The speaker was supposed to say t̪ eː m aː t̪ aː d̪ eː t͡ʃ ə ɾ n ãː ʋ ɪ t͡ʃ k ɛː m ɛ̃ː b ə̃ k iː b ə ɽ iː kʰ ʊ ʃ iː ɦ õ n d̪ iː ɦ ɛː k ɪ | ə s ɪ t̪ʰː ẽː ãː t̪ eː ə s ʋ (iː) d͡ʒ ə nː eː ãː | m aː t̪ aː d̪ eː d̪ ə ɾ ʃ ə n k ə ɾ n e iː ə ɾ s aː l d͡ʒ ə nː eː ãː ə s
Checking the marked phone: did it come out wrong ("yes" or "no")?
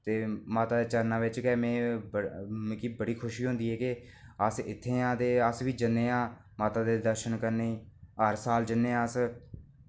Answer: no